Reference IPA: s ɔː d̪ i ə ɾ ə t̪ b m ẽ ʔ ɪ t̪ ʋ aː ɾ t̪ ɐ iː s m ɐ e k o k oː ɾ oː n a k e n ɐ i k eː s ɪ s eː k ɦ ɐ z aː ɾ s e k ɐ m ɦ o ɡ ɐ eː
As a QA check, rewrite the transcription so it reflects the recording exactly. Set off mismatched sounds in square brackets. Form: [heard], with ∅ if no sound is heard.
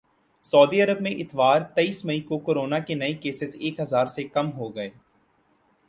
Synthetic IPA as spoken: s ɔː d̪ i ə ɾ ə [∅] b m ẽ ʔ ɪ t̪ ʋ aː ɾ t̪ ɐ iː s m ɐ [i] k o k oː ɾ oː n a k e n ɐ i k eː s ɪ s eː k ɦ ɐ z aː ɾ s e k ɐ m ɦ o ɡ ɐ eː